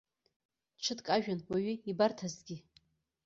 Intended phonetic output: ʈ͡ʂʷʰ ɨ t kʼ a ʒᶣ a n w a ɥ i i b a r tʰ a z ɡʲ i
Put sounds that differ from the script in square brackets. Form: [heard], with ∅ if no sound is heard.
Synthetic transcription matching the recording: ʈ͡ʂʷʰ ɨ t kʼ a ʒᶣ a n w a ɥ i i b a r tʰ a z ɡʲ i